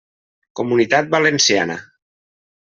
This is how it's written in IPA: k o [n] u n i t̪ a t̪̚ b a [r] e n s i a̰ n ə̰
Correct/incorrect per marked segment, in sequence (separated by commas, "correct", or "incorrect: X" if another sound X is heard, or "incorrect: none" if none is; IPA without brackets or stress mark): incorrect: m, incorrect: l